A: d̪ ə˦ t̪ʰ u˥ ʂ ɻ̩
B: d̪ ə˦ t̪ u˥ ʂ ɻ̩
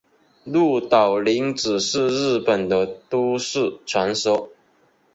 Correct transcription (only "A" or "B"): B